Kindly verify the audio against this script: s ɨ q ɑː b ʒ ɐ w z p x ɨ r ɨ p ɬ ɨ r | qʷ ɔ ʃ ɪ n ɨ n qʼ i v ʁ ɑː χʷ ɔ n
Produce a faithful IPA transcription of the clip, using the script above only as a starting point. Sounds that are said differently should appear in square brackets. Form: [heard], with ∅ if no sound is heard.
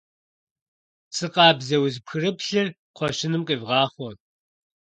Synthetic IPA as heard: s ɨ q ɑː b [z] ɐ w z p x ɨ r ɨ p ɬ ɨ r | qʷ ɔ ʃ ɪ n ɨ [m] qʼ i v ʁ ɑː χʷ ɔ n